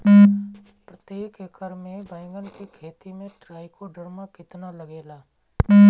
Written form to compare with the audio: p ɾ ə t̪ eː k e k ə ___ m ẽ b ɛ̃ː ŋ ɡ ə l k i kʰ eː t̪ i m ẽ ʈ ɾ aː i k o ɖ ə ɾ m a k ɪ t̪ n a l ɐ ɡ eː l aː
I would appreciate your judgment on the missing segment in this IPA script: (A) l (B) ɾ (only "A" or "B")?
B